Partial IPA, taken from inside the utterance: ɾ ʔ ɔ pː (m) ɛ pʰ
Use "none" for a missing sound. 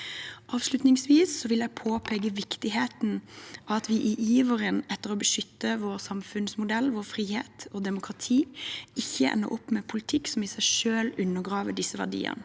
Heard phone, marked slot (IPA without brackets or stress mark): m